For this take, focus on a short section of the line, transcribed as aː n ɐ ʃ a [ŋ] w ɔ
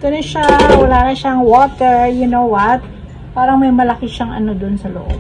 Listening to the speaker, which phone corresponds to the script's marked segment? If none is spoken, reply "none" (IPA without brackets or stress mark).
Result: ŋ